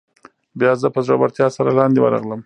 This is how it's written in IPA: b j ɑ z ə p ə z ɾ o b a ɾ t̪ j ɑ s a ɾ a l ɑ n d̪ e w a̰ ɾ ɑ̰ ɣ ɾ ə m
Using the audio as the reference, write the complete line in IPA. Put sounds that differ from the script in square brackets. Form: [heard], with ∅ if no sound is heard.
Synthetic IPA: b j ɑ z ə p ə z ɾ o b a ɾ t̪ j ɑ s a ɾ a l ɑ n d̪ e w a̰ ɾ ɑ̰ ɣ [l] ə m